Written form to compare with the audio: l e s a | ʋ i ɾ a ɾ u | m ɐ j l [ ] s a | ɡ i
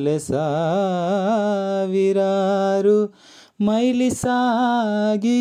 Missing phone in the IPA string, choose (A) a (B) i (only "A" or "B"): B